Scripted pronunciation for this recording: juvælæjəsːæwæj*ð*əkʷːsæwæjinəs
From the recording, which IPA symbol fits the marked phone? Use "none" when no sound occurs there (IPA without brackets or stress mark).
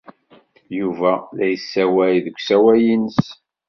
ð